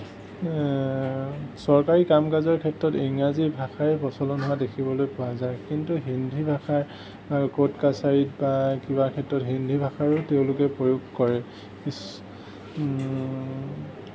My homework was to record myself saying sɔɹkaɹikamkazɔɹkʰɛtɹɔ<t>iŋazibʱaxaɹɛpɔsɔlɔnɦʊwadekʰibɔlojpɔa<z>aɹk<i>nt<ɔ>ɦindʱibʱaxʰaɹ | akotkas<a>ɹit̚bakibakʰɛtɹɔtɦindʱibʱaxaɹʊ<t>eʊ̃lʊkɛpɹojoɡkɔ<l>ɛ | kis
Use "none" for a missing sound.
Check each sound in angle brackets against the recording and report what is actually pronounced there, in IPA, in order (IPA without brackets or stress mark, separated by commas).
t, z, i, u, a, t, ɹ